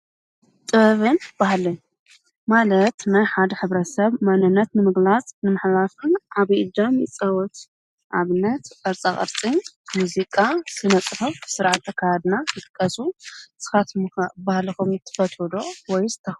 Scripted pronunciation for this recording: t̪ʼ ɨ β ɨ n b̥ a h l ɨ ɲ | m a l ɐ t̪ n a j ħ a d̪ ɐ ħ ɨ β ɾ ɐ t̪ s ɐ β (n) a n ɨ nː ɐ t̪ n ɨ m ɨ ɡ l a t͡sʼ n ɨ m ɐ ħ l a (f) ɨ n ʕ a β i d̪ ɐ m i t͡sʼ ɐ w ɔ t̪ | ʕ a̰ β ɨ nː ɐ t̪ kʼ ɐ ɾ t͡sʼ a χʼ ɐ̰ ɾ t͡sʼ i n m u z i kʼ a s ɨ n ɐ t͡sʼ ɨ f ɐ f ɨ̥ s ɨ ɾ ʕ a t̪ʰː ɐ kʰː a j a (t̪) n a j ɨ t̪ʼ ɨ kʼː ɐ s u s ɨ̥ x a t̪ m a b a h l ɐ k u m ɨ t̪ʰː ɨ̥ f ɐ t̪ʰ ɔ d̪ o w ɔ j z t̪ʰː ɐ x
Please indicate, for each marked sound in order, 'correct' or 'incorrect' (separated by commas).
incorrect, correct, incorrect